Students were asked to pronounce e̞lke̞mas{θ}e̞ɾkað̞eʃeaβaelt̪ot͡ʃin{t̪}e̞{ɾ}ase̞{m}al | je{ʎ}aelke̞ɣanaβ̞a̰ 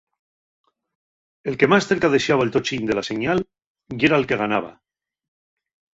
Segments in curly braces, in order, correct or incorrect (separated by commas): correct, incorrect, incorrect, incorrect, incorrect